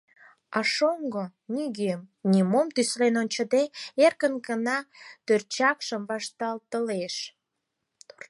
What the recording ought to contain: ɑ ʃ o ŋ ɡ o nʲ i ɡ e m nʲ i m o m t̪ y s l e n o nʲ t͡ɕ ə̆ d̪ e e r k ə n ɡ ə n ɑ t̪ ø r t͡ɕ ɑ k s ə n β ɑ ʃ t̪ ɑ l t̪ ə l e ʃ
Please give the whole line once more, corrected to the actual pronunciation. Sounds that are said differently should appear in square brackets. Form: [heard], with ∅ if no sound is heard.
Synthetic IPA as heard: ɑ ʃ o ŋ ɡ o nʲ i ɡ e m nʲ i m o m t̪ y s l e n o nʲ t͡ɕ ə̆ d̪ e e r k ə n ɡ ə n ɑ t̪ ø r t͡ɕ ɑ k [ʃ] ə [m] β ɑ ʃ t̪ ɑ l t̪ ə l e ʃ